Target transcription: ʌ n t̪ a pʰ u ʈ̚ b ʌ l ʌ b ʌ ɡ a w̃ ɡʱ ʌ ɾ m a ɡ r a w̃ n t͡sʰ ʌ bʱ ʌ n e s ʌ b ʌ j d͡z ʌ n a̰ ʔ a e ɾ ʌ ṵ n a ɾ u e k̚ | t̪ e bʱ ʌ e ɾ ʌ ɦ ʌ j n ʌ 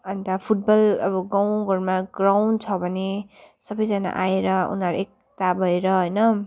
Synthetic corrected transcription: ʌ n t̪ a pʰ u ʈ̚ b ʌ l ʌ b ʌ ɡ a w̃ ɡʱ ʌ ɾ m a ɡ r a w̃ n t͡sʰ ʌ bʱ ʌ n e s ʌ b ʌ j d͡z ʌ n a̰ ʔ a e ɾ ʌ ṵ n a ɾ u e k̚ | t̪ a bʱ ʌ e ɾ ʌ ɦ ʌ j n ʌ

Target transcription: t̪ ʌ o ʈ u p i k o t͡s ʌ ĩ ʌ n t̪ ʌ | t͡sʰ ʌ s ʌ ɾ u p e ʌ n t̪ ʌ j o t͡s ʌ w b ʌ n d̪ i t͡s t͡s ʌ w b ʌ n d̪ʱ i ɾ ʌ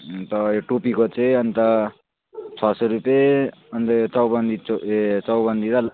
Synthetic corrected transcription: t̪ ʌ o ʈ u p i k o t͡s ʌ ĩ ʌ n t̪ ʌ | t͡sʰ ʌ s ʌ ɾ u p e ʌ n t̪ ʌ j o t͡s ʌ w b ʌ n d̪ i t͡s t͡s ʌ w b ʌ n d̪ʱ i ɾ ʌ

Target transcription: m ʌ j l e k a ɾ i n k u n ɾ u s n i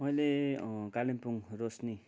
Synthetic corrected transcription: m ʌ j l e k a l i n p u ŋ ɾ o s n i

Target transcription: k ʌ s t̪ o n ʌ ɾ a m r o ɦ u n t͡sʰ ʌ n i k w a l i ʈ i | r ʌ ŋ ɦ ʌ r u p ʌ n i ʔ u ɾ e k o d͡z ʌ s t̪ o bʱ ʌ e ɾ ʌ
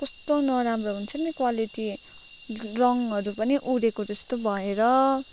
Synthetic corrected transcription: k ʌ s t̪ o n ʌ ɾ a m r o ɦ u n t͡sʰ ʌ n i k w a l i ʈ i | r ʌ ŋ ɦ ʌ ɾ u p ʌ n i ʔ u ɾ e k o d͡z ʌ s t̪ o bʱ ʌ e ɾ ʌ

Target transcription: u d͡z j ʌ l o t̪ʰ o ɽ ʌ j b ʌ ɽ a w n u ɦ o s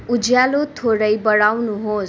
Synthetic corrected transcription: u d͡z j a l o t̪ʰ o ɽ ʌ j b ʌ ɽ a w n u ɦ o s

